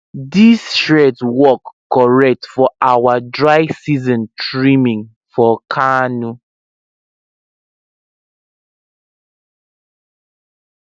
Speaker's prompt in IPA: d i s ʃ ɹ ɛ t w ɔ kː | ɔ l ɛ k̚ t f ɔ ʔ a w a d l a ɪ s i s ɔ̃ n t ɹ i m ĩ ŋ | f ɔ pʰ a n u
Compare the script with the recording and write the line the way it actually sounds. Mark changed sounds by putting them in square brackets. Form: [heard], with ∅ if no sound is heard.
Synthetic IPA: d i s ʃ ɹ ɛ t w ɔ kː | ɔ [ɹ] ɛ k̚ t f ɔ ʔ a w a d [ɹ] a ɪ s i [z] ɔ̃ n t ɹ i m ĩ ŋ | f ɔ [kʰ] a n u